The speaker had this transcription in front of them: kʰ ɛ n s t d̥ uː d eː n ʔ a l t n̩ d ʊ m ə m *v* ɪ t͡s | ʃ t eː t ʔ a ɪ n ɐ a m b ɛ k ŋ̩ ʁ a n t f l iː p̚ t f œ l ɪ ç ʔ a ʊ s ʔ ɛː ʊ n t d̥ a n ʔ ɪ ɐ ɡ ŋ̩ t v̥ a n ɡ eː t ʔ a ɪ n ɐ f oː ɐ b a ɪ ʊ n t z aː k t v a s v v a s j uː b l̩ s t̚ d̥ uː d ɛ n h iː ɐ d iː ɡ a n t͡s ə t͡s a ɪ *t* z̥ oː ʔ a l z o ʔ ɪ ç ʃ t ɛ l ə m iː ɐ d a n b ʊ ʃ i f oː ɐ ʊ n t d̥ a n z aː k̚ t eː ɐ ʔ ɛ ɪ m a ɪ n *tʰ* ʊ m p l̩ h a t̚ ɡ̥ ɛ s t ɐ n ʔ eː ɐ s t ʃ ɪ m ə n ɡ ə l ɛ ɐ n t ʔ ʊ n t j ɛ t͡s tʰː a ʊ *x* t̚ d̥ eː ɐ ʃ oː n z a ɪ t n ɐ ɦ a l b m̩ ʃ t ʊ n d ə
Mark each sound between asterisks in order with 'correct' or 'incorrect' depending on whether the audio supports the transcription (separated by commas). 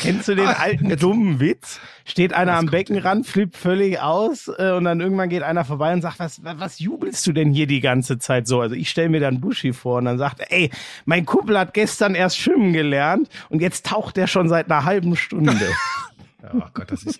correct, correct, incorrect, correct